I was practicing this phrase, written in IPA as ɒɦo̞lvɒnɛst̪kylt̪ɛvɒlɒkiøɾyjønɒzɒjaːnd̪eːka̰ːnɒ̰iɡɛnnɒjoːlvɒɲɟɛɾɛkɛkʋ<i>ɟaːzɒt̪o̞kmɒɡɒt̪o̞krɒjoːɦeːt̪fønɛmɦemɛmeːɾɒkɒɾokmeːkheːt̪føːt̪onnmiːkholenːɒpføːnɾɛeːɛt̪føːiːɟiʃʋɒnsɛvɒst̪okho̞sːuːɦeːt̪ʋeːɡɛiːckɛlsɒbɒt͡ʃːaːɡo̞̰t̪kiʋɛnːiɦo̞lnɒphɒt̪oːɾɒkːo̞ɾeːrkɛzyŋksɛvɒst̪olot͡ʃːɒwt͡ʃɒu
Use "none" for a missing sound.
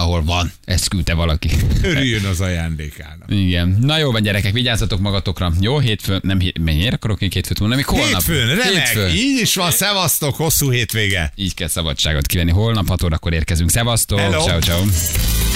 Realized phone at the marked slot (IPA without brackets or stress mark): i